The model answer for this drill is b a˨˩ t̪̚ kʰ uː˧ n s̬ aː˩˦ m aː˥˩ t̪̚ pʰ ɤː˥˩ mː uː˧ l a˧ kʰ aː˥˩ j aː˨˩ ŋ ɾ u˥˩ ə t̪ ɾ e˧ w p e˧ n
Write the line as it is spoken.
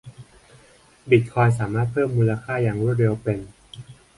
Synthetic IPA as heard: b i˨˩ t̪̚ kʰ ɔː˧ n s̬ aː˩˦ m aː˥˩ t̪̚ pʰ ɤː˥˩ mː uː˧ l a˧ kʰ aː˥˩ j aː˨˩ ŋ ɾ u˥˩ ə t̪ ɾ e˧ w p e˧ n